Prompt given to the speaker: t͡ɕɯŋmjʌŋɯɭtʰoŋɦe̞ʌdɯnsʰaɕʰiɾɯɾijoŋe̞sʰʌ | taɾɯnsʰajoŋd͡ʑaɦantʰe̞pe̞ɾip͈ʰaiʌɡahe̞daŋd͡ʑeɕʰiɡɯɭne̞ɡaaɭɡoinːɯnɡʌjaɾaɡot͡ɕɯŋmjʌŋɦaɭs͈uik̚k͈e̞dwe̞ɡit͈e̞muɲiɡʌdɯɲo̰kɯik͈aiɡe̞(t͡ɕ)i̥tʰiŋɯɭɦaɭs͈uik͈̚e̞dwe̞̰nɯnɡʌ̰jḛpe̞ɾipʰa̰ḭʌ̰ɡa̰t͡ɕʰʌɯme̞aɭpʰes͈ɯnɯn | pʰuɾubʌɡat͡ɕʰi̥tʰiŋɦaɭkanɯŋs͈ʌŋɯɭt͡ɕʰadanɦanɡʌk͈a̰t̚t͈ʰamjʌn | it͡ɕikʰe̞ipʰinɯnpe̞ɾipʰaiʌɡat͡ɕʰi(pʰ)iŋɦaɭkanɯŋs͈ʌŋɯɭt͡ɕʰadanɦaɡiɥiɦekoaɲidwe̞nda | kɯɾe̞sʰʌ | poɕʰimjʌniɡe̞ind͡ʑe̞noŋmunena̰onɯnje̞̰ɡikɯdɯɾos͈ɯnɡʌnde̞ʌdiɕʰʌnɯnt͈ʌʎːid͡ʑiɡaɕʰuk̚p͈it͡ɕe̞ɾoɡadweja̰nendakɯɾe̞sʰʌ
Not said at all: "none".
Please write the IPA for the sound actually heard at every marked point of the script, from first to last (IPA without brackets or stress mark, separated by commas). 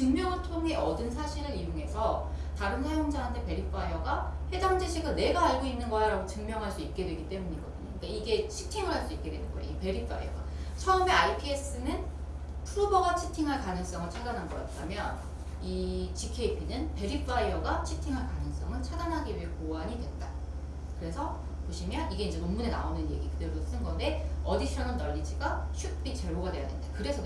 t͡ɕʰ, tʰ